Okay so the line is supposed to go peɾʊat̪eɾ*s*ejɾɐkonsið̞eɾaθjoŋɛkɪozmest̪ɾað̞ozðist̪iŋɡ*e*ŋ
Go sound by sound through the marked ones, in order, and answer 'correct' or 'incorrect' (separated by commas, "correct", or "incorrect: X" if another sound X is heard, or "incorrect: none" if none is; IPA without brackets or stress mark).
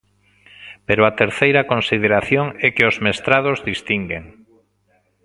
incorrect: θ, correct